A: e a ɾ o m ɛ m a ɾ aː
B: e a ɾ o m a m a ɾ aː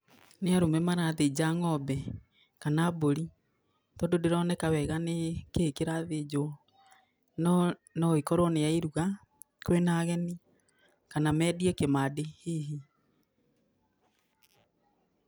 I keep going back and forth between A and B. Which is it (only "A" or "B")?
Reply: A